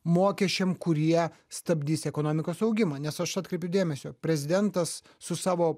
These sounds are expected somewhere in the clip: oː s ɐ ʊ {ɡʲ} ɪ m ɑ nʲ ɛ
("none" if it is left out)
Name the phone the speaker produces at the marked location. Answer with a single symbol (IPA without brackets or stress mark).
ɡʲ